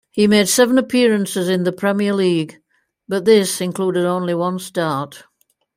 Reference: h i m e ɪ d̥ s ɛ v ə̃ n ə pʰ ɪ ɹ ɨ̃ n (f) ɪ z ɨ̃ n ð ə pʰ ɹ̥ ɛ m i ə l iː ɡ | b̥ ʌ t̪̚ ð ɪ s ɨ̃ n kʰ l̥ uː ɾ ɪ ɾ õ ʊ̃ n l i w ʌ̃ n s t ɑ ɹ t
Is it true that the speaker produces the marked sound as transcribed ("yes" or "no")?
no